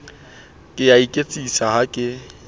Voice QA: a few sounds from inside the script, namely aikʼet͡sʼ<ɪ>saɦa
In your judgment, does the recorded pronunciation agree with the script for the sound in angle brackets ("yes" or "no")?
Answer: no